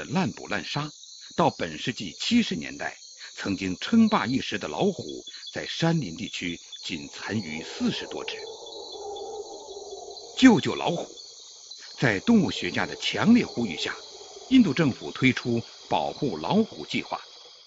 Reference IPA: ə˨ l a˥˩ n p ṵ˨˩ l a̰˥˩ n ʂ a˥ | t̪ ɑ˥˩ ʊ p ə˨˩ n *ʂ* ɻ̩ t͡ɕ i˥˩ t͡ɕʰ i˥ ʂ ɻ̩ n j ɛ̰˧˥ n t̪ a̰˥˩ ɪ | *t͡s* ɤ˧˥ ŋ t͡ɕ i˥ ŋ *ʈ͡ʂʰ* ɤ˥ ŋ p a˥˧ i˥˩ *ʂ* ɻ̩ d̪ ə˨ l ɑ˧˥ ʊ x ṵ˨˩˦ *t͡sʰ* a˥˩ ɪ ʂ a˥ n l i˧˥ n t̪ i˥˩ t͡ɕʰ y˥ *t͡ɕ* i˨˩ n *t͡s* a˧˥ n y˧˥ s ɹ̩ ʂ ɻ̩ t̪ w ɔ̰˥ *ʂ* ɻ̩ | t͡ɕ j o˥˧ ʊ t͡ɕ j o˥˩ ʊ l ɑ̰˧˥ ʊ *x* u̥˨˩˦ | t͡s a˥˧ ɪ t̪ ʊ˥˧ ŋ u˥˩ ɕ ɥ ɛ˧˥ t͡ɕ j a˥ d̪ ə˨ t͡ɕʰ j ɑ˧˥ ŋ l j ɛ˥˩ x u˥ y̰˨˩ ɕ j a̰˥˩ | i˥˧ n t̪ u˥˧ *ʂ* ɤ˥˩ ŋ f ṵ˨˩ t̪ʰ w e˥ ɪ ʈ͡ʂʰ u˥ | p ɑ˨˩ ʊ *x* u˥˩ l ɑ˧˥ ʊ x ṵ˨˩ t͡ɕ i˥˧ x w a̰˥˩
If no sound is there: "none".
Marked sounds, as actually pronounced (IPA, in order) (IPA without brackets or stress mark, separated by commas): ʂ, t͡sʰ, ʈ͡ʂʰ, ʂ, t͡s, t͡ɕ, t͡sʰ, ʈ͡ʂ, x, ʈ͡ʂ, x